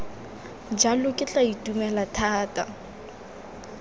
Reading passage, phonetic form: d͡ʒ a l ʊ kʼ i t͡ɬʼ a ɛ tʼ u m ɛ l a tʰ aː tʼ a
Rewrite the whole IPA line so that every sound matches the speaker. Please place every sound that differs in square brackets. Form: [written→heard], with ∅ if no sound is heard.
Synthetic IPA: d͡ʒ a l ʊ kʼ [i→ɪ] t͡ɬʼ a [ɛ→i] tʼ u m ɛ l a tʰ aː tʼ a